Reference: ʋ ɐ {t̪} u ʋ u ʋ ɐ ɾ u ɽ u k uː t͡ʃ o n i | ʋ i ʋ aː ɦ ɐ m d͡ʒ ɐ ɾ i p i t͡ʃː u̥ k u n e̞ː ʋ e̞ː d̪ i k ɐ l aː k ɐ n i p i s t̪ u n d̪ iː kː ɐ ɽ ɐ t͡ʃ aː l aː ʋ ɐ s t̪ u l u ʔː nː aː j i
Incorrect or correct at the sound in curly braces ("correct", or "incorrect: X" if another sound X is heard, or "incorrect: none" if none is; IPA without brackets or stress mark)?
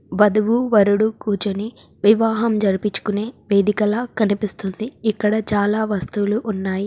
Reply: incorrect: d̪